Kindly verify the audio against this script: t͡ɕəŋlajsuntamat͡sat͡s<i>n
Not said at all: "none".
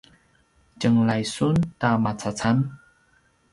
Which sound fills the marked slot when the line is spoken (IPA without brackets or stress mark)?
a